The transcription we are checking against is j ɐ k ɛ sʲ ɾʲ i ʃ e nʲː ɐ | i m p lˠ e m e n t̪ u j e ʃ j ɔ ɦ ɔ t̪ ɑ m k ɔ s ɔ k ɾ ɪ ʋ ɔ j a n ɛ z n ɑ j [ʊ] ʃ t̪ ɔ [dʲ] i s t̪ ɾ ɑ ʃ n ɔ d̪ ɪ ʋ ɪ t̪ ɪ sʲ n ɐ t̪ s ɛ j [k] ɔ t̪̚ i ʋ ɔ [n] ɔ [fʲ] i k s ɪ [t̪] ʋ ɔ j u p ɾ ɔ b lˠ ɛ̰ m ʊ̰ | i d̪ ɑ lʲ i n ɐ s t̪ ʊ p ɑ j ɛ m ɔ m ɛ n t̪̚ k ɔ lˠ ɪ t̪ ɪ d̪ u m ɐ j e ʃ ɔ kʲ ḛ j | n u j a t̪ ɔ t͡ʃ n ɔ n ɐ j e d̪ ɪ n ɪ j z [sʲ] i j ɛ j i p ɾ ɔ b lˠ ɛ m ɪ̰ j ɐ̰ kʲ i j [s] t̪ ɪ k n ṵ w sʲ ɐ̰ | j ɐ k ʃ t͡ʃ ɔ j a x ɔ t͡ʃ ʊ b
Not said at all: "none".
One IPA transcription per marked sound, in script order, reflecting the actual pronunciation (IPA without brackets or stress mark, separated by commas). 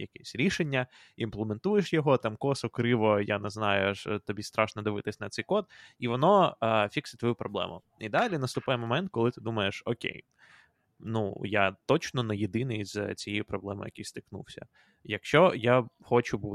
ʊ, bʲ, k, n, fʲ, t̪, t͡sʲ, s